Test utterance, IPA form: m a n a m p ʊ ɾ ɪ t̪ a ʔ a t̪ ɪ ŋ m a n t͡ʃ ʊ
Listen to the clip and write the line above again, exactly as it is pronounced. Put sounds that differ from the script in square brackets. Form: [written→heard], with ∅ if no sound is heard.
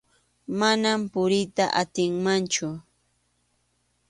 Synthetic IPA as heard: m a n a m p ʊ ɾ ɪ t̪ a ʔ a t̪ ɪ ŋ m a n t͡ʃ ʊ